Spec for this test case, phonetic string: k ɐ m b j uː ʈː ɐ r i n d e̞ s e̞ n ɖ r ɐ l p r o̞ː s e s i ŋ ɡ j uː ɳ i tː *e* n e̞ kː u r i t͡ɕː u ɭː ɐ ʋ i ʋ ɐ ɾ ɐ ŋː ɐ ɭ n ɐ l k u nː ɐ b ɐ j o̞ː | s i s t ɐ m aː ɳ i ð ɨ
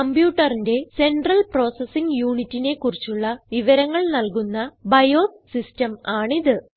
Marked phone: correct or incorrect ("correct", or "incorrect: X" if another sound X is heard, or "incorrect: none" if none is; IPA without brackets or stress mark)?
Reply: incorrect: i